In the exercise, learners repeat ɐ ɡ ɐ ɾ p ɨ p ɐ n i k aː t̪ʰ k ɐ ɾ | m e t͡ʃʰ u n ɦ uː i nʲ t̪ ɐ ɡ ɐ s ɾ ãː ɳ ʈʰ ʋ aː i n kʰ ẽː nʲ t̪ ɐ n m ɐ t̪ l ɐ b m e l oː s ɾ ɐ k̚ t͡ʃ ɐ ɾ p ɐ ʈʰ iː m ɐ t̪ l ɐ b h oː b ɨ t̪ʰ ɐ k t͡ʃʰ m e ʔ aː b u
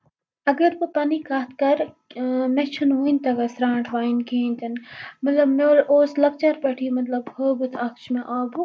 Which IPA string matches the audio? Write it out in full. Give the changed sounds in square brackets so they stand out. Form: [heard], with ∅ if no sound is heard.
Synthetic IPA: ɐ ɡ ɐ ɾ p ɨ p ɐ n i k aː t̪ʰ k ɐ ɾ | m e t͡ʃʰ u n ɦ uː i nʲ t̪ ɐ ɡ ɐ s ɾ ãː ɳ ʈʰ ʋ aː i n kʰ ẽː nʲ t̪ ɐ n m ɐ t̪ l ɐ b m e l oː s [l] ɐ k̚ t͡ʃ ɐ ɾ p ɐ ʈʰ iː m ɐ t̪ l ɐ b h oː b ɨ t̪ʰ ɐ k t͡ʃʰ m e ʔ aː b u